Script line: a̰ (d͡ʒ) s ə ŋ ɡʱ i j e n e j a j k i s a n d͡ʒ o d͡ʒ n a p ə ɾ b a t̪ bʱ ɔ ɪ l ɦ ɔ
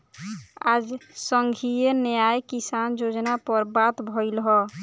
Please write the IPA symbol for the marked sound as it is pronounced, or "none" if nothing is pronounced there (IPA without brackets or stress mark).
d͡ʒ